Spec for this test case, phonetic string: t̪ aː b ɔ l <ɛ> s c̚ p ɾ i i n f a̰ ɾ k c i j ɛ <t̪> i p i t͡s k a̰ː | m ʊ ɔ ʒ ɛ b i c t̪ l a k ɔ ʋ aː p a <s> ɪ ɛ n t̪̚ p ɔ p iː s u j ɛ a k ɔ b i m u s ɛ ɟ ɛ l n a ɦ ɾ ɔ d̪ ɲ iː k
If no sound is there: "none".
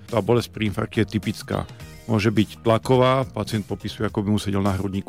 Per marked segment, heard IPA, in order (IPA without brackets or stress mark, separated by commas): ɛ, t̪, t͡s